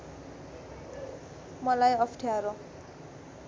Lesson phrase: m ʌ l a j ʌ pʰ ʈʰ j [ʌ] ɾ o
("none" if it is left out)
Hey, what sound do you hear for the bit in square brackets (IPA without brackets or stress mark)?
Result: a